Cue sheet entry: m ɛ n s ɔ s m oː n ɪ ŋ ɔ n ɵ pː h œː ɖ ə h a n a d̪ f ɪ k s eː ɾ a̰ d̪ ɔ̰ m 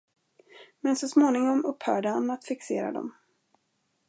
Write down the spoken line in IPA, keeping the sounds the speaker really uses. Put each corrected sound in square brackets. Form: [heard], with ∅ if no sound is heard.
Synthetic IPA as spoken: m ɛ n s ɔ s m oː n ɪ ŋ ɔ [m] ɵ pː h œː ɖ ə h a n a [t̪] f ɪ k s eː ɾ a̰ d̪ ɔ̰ m